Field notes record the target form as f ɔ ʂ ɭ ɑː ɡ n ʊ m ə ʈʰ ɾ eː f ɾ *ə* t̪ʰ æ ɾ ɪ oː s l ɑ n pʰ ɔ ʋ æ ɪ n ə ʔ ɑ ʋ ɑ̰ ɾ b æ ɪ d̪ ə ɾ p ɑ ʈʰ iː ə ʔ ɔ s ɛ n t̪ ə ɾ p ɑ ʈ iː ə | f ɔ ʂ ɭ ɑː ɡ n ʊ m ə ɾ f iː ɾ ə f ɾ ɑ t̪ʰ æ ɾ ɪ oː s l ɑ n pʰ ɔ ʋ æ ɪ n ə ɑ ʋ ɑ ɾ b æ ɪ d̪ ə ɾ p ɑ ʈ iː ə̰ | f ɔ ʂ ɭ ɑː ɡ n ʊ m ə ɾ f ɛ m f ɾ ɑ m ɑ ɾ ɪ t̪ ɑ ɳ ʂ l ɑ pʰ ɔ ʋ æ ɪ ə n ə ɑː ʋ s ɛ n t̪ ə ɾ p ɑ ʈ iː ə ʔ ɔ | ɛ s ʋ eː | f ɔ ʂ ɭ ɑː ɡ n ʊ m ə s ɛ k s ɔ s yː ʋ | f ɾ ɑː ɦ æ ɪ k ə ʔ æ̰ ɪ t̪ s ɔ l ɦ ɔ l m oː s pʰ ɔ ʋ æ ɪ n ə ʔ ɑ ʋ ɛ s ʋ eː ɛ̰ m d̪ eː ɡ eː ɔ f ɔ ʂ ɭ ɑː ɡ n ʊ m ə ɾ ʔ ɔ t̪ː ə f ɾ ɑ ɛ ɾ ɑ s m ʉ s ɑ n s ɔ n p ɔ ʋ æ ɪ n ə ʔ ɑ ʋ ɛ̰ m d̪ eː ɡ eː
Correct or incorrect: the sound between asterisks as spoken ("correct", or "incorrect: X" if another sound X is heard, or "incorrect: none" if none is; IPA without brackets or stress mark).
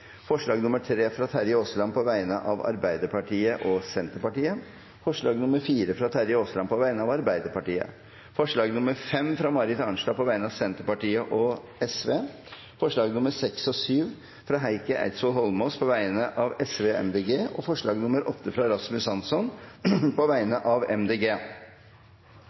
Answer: incorrect: ɑ